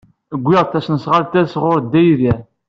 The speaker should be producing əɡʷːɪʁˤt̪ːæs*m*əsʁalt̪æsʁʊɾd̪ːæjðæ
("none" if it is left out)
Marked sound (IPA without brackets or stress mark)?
n